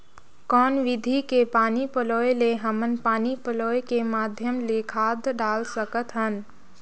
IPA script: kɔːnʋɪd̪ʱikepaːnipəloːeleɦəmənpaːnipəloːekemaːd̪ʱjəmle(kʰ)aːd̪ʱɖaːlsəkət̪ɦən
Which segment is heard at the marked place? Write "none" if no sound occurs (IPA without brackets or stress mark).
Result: kʰ